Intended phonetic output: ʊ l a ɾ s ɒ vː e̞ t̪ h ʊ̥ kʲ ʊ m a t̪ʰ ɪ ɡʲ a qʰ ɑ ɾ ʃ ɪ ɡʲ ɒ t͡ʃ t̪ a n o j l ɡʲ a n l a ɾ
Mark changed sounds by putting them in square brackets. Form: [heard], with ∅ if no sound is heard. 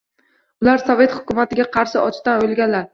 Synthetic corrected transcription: ʊ l a ɾ s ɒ [v] e̞ t̪ h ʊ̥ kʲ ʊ m a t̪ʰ ɪ ɡʲ a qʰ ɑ ɾ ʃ ɪ [∅] ɒ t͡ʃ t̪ a n o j l ɡʲ a n l a ɾ